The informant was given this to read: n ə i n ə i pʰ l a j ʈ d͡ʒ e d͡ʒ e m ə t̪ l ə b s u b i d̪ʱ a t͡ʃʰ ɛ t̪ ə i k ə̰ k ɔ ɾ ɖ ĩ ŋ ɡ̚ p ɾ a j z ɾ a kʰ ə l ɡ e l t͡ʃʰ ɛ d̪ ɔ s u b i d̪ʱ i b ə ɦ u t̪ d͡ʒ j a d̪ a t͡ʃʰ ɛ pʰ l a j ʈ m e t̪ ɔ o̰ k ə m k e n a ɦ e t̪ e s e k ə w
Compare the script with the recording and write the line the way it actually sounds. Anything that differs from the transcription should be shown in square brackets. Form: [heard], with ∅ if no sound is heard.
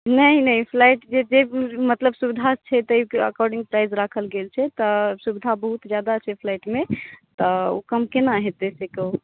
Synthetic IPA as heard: n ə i n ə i pʰ l a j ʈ d͡ʒ e d͡ʒ e m ə t̪ l ə b s u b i d̪ʱ a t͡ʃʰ ɛ t̪ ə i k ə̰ k ɔ ɾ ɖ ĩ ŋ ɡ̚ p ɾ a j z ɾ a kʰ ə l ɡ e l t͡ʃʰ ɛ [t̪] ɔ s u b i d̪ʱ [a] b ə ɦ u t̪ d͡ʒ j a d̪ a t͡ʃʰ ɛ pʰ l a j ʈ m e t̪ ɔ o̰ k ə m k e n a ɦ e t̪ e s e k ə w